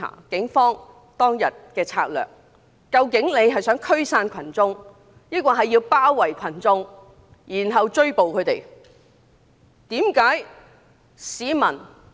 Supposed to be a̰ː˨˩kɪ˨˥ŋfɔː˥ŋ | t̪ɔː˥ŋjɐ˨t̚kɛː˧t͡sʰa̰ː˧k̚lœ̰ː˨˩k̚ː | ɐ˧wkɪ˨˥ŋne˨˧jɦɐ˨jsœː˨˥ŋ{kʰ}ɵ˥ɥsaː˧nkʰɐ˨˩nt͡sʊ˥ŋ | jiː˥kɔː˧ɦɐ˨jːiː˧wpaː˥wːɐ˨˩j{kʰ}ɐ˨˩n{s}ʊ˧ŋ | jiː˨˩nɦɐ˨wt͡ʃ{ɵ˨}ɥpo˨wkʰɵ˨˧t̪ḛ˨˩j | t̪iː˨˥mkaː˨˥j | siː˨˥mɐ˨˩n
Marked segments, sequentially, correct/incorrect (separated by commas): correct, correct, incorrect, incorrect